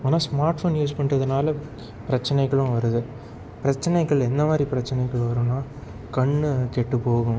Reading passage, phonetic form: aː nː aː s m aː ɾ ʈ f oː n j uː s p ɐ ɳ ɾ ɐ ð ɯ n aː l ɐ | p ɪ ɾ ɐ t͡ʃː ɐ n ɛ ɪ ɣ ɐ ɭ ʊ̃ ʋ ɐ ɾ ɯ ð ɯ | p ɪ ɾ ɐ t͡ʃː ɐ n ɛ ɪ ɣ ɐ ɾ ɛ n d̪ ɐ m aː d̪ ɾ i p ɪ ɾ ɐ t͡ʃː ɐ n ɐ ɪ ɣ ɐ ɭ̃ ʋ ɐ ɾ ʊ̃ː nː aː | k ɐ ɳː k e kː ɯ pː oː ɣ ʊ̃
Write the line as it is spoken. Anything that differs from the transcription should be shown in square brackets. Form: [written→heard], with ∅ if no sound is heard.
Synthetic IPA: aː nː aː s m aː ɾ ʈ f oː n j uː s p ɐ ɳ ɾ ɐ ð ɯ n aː l ɐ | p ɪ ɾ ɐ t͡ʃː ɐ n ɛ ɪ ɣ ɐ ɭ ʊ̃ ʋ ɐ ɾ ɯ ð ɯ | p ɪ ɾ ɐ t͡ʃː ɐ n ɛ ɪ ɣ ɐ [ɾ→ɭ] ɛ n d̪ ɐ m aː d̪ ɾ i p ɪ ɾ ɐ t͡ʃː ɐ n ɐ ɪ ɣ ɐ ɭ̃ ʋ ɐ ɾ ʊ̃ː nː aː | k ɐ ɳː k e [kː→ʈː] ɯ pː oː ɣ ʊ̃